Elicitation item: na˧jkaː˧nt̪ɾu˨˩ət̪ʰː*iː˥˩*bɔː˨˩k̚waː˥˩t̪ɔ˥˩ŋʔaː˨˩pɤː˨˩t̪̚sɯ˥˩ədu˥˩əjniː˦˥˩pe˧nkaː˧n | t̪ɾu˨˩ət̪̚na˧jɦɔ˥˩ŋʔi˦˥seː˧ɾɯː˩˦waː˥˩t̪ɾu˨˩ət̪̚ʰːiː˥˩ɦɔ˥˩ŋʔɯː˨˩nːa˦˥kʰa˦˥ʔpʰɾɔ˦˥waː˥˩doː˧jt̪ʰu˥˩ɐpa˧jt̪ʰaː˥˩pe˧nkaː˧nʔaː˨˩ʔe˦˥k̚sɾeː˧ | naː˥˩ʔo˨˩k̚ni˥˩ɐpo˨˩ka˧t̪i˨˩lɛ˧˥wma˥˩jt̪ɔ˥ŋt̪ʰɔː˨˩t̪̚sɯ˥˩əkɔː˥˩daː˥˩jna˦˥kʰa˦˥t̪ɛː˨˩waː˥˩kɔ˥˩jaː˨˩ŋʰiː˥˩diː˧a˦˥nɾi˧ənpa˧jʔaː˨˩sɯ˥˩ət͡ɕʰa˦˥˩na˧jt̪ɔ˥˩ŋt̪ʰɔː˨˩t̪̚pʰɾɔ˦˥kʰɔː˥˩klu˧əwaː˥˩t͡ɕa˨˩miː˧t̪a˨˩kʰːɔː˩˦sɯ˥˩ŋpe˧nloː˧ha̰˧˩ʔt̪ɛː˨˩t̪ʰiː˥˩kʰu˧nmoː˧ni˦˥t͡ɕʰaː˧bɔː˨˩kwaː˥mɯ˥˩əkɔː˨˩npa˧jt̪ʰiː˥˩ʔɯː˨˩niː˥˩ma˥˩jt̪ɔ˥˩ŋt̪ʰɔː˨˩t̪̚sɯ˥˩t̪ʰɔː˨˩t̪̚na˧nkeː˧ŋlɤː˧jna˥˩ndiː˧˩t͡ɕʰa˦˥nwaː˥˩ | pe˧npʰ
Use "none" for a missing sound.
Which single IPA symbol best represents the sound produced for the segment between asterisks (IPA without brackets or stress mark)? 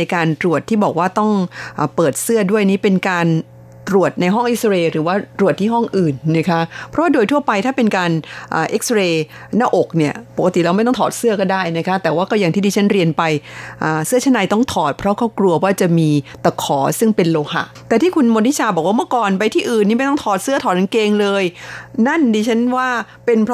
iː˥˩